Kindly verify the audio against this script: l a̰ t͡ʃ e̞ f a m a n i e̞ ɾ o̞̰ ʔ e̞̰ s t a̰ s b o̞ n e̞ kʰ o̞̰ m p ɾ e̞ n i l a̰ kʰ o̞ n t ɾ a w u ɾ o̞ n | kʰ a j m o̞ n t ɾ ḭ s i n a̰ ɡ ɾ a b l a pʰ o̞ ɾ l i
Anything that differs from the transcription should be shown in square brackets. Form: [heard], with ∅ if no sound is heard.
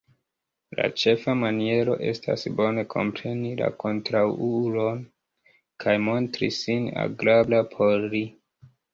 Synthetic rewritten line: l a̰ t͡ʃ e̞ f a m a n i e̞ ɾ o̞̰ ʔ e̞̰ s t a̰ s b o̞ n e̞ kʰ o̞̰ m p ɾ e̞ n i l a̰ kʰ o̞ n t ɾ a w u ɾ o̞ n | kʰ a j m o̞ n t ɾ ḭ s i n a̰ ɡ ɾ a b l a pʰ o̞ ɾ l i